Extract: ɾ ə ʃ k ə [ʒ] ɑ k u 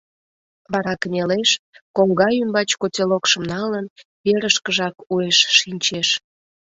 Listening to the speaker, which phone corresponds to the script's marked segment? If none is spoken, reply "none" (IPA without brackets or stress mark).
ʒ